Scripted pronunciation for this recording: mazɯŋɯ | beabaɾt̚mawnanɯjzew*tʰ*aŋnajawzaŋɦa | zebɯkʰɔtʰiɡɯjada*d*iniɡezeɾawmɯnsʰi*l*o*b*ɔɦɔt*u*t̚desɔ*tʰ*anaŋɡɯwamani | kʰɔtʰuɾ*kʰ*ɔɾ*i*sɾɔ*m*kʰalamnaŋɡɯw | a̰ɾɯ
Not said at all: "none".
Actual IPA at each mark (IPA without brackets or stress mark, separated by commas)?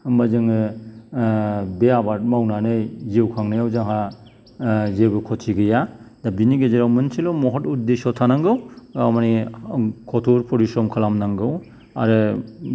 kʰ, b, l, m, u, tʰ, pʰ, i, m